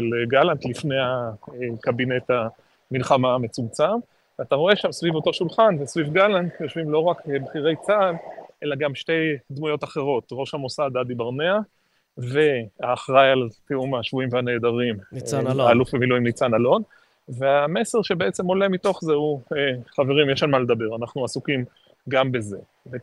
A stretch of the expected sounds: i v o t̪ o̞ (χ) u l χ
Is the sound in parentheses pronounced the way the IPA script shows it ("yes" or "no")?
no